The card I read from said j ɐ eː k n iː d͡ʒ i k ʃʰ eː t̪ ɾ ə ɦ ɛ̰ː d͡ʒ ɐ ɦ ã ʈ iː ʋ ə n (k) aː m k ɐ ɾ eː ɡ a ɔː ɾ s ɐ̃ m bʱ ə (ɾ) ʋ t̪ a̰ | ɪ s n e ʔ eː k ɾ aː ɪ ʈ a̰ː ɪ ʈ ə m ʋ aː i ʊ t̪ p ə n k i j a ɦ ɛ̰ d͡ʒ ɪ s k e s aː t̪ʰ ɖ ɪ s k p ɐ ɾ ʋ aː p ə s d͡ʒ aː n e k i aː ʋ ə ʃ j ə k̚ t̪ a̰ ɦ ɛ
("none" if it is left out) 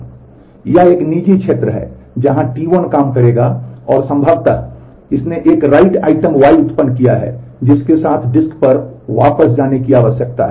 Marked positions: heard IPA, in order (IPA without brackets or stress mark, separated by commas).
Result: k, none